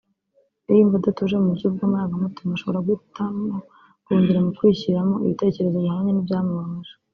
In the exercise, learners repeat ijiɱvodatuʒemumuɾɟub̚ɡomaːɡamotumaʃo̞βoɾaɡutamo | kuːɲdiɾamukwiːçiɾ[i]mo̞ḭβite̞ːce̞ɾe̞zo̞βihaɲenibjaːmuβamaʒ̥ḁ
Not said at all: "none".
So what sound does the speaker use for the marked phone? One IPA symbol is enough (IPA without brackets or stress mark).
a